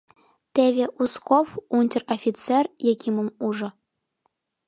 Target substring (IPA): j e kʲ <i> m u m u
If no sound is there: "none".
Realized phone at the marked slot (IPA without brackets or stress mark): i